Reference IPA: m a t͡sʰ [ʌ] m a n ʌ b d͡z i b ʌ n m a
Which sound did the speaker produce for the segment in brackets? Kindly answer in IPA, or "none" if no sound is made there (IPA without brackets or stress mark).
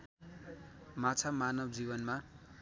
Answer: a